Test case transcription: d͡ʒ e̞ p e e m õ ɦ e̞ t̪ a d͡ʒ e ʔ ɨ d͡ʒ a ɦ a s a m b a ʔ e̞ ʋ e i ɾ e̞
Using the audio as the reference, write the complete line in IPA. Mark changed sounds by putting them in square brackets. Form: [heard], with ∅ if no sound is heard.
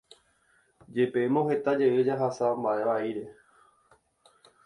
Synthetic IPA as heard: d͡ʒ e̞ p e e m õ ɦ e̞ t̪ a d͡ʒ e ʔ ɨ d͡ʒ a ɦ a s a m b a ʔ e̞ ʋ [a] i ɾ e̞